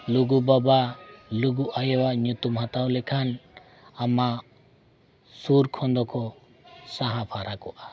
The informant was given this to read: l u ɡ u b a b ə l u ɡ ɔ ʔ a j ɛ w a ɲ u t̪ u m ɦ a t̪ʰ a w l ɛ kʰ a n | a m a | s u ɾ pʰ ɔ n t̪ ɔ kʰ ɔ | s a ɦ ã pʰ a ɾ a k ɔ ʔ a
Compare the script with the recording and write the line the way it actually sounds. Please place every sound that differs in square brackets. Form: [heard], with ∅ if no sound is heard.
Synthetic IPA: l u ɡ u b a b [a] l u ɡ [u] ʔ a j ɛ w a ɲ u t̪ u m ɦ a [t̪] a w l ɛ kʰ a n | a m a | s u ɾ [kʰ] ɔ n [d̪] ɔ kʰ ɔ | s a ɦ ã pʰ a ɾ a k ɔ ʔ a